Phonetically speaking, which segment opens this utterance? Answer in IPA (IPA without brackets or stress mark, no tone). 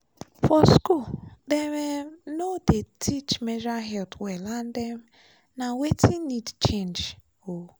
f